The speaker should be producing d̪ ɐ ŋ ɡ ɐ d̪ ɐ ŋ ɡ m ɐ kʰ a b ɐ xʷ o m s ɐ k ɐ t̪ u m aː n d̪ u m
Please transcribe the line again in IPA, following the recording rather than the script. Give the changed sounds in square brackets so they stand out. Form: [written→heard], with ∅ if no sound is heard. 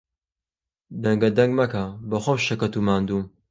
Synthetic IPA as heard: d̪ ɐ ŋ ɡ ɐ d̪ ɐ ŋ ɡ m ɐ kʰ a b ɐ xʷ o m [s→ʃ] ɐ k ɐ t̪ u m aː n d̪ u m